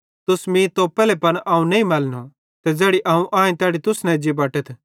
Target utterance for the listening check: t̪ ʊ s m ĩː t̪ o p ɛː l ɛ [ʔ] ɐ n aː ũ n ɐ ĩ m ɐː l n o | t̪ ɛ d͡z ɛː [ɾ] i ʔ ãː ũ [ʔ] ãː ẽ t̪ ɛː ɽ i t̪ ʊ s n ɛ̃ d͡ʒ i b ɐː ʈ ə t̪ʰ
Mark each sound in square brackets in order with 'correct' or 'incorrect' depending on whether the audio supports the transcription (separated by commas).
incorrect, incorrect, correct